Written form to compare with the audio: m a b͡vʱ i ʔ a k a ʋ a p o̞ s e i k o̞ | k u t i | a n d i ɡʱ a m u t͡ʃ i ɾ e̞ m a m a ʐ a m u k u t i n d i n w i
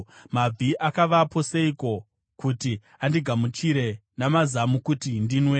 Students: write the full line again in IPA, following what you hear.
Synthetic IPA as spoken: m a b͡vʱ i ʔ a k a ʋ a p o̞ s e i k o̞ | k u t i | a n d i ɡʱ a m u t͡ʃ i ɾ e̞ n a m a z a m u k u t i n d i n w e

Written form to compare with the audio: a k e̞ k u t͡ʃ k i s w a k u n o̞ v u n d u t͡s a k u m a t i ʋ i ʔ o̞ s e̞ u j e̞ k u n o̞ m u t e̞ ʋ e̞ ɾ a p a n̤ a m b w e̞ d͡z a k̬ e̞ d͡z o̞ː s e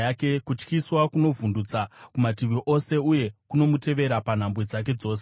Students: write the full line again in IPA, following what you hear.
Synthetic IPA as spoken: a k e̞ k u t͡ʃ k i s w a k u n o̞ v u n d u t͡s a k u m a t i ʋ i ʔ o̞ s e̞ u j e̞ k u n o̞ m u t e̞ ʋ e̞ ɾ a p a n̤ a m b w e̞ d͡z a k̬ e̞ d͡z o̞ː s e

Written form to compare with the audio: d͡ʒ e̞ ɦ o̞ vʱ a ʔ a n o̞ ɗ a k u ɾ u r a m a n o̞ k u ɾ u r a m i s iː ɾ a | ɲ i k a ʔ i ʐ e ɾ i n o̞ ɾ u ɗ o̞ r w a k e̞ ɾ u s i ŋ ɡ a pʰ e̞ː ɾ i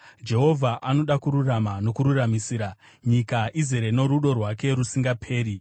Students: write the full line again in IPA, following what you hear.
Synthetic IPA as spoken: d͡ʒ e̞ ɦ o̞ vʱ a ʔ a n o̞ ɗ a k u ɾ u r a m a n o̞ k u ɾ u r a m i s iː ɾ a | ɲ i k a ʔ i z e ɾ e n o̞ ɾ u ɗ o̞ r w a k e̞ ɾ u s i ŋ ɡ a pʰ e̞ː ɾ i

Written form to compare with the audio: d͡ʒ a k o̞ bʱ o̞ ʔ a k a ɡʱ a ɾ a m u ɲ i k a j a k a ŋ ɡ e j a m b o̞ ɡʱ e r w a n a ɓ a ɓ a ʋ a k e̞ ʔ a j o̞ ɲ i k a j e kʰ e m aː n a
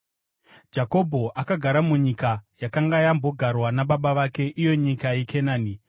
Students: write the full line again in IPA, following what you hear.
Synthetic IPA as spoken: d͡ʒ a k o̞ bʱ o̞ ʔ a k a ɡʱ a ɾ a m u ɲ i k a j a k a ŋ ɡ a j a m b o̞ ɡʱ a r w a n a ɓ a ɓ a ʋ a k e̞ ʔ i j o̞ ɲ i k a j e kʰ e n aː n i

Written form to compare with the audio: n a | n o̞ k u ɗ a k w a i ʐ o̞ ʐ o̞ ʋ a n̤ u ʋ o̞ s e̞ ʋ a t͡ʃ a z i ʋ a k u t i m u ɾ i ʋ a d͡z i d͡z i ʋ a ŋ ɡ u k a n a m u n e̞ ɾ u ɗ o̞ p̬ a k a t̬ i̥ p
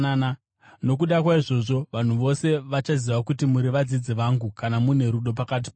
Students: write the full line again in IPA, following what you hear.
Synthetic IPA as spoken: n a | n o̞ k u ɗ a k w a i ʐ o̞ ʐ o̞ ʋ a n̤ u ʋ o̞ s e̞ ʋ a t͡ʃ a z i ʋ a k u t i m u ɾ i ʋ a d͡z i d͡z i ʋ a ŋ ɡ u k a n a m u n e̞ ɾ u ɗ o̞ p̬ a k a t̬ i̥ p

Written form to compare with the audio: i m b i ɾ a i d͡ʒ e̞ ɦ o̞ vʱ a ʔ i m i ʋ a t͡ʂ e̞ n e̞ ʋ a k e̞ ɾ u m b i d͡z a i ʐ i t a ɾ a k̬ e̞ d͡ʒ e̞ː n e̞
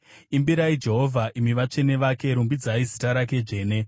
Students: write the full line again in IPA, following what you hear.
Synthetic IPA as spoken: i m b i ɾ a i d͡ʒ e̞ ɦ o̞ vʱ a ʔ i m i ʋ a t͡ʂ e̞ n e̞ ʋ a k e̞ ɾ u m b i d͡z a i z i t a ɾ a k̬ e̞ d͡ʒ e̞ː n e̞

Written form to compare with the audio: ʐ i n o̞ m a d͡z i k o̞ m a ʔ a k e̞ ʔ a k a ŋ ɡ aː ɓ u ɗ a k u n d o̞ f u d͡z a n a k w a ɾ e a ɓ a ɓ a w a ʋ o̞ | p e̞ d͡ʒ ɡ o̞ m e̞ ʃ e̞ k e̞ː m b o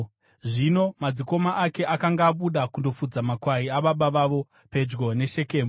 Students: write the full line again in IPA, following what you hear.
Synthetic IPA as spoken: ʐ i n o̞ m a d͡z i k o̞ m a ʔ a k e̞ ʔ a k a ŋ ɡ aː ɓ u ɗ a k u n d o̞ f u d͡z a m a k w a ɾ i a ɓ a ɓ a ʋ a ʋ o̞ | p e̞ d͡ʒ ɡ o̞ n e̞ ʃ e̞ k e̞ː m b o

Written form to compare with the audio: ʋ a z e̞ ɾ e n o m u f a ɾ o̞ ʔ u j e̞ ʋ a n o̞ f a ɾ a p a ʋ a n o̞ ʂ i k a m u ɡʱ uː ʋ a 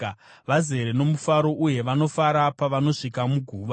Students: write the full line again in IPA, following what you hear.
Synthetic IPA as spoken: ʋ a z e̞ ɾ e n o m u f a ɾ o̞ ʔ u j e̞ ʋ a n o̞ f a ɾ a p a ʋ a n o̞ ʂ i k a m u ɡʱ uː ʋ a

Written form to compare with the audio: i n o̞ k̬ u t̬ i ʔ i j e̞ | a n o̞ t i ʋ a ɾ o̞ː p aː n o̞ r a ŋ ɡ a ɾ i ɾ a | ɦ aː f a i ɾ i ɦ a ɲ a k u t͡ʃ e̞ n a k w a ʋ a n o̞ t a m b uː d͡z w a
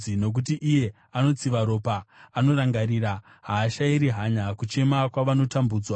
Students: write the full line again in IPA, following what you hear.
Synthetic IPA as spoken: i n o̞ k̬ u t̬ i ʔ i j e̞ | a n o̞ t͡s i ʋ a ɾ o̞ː p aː n o̞ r a ŋ ɡ a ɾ i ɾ a | ɦ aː ʃ a i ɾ i ɦ a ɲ a k u t͡ʃ e̞ m a k w a ʋ a n o̞ t a m b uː d͡z w a

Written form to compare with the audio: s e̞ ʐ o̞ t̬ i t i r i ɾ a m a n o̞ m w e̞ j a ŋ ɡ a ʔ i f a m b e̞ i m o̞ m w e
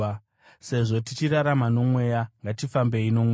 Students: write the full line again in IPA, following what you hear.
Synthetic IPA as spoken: s e̞ ʐ o̞ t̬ i t͡ʃ i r a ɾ a m a n o̞ m w e̞ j a ŋ ɡ a t i f a m b e̞ i n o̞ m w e

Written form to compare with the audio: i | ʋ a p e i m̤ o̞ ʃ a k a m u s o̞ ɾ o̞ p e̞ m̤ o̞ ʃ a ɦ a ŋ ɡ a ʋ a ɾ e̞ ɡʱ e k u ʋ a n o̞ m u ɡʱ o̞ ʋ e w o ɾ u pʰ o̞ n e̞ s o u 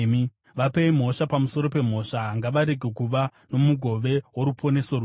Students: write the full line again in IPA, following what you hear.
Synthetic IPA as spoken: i | ʋ a p e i m̤ o̞ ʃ a p a m u s o̞ ɾ o̞ p e̞ m̤ o̞ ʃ a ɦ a ŋ ɡ a ʋ a ɾ e̞ ɡʱ e k u ʋ a n o̞ m u ɡʱ o̞ ʋ e w o ɾ u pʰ o̞ n e̞ s o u

